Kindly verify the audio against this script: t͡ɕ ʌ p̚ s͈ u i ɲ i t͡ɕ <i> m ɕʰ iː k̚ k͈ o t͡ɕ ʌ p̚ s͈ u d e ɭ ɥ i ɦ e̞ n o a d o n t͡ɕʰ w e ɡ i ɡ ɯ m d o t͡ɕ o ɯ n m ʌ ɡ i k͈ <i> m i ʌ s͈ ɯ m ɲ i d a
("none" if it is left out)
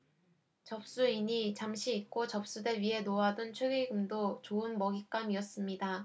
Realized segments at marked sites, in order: a, a

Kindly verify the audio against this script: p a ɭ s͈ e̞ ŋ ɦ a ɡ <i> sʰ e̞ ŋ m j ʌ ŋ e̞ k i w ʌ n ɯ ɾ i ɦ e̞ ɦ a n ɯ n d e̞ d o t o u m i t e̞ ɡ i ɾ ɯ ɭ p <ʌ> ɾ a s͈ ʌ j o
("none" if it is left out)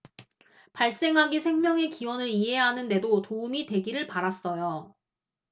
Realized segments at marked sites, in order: i, a

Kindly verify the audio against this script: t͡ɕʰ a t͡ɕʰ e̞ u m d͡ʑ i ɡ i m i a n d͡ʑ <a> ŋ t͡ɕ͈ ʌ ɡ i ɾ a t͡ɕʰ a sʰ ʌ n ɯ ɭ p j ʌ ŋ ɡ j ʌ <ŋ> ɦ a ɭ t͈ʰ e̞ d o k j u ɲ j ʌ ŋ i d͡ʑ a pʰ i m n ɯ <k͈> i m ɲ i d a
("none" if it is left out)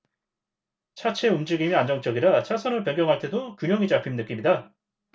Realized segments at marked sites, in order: ʌ, ŋ, k͈

